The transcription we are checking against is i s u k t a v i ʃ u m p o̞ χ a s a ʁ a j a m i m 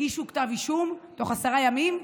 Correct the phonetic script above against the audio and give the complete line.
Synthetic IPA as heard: i ʃ u k t a v i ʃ u m t o̞ χ a s a ʁ a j a m i m